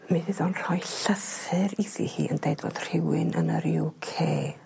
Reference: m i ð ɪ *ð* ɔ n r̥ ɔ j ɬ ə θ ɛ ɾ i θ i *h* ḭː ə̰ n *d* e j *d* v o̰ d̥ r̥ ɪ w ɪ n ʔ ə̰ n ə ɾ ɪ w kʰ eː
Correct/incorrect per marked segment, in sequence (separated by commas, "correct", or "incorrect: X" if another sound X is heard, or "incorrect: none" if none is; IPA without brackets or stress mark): correct, correct, correct, correct